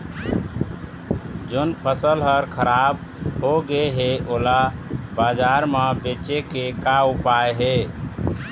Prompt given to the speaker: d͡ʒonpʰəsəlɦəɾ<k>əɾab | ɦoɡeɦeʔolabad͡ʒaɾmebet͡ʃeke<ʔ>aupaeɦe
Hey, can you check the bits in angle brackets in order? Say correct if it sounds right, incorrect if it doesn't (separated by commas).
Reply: incorrect, incorrect